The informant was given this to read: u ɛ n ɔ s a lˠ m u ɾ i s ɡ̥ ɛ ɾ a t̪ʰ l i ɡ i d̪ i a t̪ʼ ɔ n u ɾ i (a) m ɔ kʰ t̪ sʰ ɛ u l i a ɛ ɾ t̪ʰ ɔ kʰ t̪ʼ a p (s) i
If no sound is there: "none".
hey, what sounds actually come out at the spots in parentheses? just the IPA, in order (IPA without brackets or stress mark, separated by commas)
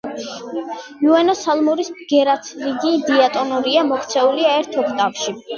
a, ʃ